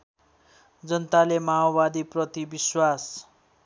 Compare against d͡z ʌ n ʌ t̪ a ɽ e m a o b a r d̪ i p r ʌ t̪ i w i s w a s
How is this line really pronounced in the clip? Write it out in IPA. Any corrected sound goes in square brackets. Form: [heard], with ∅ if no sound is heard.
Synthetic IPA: d͡z ʌ n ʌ t̪ a [l] e m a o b a [∅] d̪ i p r ʌ t̪ i [b] i s w a s